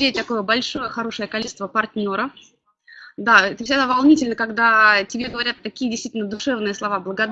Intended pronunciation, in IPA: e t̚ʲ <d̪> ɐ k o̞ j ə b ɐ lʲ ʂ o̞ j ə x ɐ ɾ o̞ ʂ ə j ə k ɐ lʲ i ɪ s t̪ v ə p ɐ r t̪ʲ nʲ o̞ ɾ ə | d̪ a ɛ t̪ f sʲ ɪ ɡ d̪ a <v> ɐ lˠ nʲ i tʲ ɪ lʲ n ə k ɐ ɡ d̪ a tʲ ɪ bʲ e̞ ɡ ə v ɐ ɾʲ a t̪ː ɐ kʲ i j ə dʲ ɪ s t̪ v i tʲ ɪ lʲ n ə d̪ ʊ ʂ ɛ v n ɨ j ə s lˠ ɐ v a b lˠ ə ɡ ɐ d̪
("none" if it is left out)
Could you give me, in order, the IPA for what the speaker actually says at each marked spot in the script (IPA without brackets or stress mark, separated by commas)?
t̪, v